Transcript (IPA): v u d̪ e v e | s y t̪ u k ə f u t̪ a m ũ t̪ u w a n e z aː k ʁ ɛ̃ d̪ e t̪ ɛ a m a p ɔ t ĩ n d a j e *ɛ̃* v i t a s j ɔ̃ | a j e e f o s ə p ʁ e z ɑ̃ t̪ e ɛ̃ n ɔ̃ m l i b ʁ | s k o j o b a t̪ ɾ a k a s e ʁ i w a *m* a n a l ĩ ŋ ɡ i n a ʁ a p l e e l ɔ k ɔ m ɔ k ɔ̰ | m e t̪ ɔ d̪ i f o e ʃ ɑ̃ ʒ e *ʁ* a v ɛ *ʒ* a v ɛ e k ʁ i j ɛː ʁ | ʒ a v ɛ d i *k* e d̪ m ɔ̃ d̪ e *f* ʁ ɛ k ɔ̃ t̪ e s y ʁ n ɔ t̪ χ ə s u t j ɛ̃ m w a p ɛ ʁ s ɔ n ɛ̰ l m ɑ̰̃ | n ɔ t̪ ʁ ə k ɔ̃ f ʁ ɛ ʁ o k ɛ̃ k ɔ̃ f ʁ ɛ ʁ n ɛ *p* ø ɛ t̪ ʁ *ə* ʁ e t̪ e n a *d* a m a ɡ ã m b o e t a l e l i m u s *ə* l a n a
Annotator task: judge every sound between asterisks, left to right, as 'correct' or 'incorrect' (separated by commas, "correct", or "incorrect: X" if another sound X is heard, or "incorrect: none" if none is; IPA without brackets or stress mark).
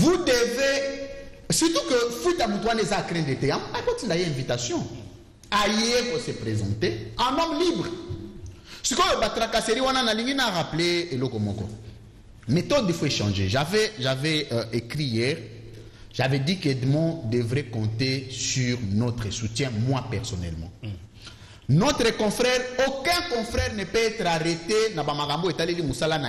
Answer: correct, incorrect: n, incorrect: ʒ, correct, correct, incorrect: v, correct, incorrect: a, incorrect: b, incorrect: a